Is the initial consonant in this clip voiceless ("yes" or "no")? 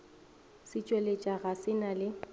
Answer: yes